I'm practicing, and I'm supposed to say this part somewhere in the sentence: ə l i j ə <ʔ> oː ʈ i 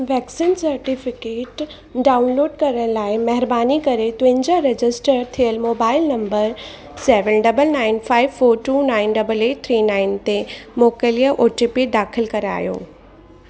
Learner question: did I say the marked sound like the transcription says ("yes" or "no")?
yes